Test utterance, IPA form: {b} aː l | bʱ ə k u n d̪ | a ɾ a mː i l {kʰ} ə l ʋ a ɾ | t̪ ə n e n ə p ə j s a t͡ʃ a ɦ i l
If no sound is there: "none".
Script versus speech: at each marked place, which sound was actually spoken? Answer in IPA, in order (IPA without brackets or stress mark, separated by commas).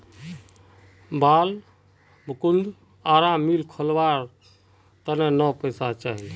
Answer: b, kʰ